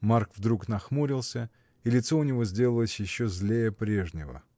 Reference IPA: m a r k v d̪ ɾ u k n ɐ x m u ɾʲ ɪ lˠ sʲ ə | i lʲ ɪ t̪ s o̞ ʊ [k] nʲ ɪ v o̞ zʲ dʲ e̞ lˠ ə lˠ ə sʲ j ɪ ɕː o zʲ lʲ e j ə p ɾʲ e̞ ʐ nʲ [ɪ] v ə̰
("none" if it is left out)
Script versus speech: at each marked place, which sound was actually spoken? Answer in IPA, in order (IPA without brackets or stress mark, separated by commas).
none, ɪ